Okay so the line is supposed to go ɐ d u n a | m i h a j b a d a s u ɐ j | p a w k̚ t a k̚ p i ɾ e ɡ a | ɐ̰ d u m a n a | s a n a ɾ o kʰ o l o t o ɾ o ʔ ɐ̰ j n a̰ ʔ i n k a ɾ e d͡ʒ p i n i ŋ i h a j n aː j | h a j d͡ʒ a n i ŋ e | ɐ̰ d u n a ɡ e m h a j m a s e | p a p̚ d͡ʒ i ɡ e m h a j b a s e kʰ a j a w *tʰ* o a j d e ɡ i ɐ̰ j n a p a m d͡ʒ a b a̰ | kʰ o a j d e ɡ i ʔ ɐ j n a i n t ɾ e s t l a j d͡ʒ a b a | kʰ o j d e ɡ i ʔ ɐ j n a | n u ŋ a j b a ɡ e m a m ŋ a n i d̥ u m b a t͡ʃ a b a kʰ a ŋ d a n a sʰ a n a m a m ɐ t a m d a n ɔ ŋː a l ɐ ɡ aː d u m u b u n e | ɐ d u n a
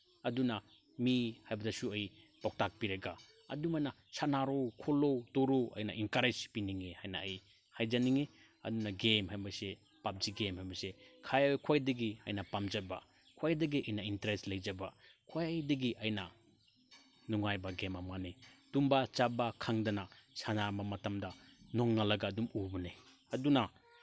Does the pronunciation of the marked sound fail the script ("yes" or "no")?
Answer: yes